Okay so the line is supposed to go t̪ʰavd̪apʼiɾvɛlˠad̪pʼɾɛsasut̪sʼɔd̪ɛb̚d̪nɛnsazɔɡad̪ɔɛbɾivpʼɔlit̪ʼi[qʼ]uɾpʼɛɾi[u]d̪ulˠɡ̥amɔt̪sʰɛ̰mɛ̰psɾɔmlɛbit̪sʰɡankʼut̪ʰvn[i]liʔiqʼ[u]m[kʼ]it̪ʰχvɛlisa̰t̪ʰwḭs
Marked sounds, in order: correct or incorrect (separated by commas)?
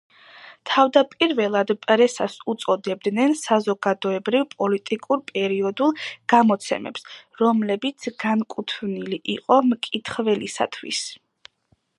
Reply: incorrect, incorrect, correct, incorrect, correct